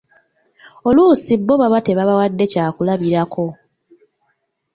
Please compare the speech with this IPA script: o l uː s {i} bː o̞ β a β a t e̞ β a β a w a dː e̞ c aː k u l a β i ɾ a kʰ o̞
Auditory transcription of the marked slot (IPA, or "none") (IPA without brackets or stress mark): i